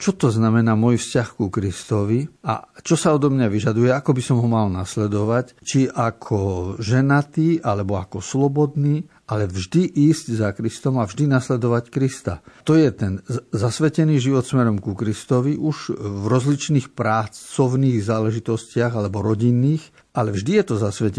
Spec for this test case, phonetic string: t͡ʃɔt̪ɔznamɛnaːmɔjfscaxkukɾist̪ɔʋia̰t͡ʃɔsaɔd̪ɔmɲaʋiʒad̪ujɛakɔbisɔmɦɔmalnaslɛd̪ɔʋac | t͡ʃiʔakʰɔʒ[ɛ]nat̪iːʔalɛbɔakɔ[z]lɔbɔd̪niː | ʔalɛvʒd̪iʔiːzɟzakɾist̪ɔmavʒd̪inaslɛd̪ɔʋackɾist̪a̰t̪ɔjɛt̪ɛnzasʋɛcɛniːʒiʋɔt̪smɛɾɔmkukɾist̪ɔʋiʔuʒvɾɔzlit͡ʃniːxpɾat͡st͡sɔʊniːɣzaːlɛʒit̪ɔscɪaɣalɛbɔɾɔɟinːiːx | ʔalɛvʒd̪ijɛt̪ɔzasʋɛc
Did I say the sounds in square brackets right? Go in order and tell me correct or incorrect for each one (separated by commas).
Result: correct, incorrect